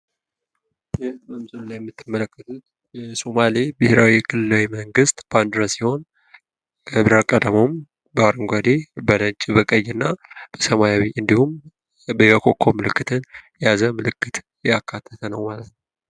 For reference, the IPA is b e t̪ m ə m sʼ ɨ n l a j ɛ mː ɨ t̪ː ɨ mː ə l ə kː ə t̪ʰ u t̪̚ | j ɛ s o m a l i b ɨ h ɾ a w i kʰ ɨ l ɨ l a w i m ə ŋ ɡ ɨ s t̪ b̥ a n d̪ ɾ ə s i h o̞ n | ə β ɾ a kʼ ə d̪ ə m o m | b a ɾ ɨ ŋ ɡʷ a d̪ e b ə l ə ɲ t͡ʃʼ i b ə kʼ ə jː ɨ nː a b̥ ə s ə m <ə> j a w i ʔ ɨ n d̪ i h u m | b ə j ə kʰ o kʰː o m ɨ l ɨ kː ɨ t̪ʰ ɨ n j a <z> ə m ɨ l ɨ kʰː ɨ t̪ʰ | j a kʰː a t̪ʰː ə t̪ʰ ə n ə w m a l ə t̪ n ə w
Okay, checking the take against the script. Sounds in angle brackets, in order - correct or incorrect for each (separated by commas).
incorrect, correct